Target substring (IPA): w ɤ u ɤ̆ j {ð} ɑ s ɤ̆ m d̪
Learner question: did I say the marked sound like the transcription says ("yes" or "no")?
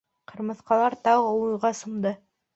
no